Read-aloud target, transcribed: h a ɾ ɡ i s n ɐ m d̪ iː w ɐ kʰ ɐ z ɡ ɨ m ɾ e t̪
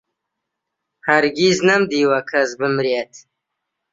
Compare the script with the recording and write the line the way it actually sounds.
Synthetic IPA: h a ɾ ɡ i z n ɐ m d̪ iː w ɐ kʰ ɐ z b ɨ m ɾ e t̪